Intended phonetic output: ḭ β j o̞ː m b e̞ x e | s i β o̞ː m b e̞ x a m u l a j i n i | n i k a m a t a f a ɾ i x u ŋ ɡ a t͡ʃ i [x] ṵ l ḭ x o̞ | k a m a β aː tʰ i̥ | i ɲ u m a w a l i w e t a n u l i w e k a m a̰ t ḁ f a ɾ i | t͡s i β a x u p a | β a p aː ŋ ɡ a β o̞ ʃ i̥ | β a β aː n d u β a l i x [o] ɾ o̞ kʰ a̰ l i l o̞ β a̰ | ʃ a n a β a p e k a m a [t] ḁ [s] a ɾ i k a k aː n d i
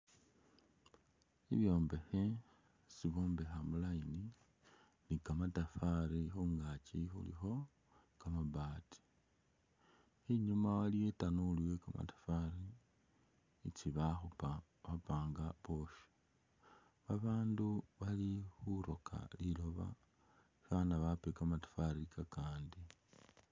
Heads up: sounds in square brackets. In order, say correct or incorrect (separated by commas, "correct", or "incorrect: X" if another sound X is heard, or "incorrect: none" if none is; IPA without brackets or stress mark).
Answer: correct, incorrect: u, correct, incorrect: f